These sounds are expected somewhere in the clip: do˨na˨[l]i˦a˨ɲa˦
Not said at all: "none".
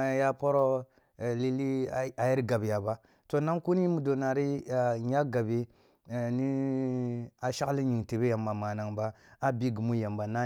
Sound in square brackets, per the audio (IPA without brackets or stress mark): ɾ